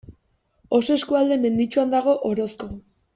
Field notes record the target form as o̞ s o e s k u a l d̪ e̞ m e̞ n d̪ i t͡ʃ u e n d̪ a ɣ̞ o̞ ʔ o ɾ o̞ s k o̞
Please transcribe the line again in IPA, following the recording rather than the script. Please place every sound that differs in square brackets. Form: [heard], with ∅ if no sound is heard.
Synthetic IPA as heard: o̞ s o e s k u a l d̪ e̞ m e̞ n d̪ i t͡ʃ u [a] n d̪ a ɣ̞ o̞ ʔ o ɾ o̞ s k o̞